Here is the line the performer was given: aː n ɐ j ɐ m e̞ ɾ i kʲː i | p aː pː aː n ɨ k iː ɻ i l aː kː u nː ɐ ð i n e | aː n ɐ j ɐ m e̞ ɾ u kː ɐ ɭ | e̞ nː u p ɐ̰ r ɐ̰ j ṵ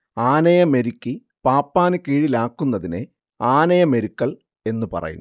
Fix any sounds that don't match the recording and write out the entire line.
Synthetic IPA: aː n ɐ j ɐ m e̞ ɾ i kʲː i | p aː pː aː n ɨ k iː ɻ i l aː kː u nː ɐ ð i n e | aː n ɐ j ɐ m e̞ ɾ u kː ɐ ɭ | e̞ nː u p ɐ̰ r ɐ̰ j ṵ